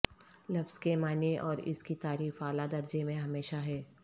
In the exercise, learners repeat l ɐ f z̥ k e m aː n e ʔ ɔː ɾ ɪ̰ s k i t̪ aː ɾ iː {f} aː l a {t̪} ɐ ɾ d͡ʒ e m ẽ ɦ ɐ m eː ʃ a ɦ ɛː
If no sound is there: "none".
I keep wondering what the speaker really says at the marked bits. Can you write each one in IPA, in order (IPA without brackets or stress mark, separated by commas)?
f, d̪